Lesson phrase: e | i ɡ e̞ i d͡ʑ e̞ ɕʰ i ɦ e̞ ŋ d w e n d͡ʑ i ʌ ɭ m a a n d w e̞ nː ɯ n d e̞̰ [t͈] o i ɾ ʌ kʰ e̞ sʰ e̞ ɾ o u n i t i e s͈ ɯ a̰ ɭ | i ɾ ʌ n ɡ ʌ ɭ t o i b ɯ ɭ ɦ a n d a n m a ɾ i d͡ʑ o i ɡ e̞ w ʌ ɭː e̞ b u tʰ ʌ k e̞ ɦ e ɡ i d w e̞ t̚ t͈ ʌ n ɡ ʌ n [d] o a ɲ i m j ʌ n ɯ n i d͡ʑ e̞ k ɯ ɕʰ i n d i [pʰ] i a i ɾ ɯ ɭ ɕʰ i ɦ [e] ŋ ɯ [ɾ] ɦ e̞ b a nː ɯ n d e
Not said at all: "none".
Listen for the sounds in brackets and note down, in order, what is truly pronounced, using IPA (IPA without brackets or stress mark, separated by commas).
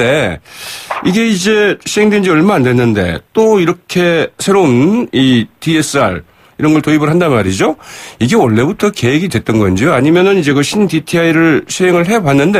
t͈, d͡ʑ, tʰ, e, ɭ